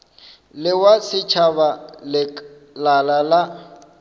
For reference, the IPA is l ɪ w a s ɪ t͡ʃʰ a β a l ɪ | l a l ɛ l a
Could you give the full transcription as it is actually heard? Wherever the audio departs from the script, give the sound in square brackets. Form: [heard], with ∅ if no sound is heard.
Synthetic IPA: l ɪ w a s ɪ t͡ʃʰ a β a l ɪ | l a l [a] l a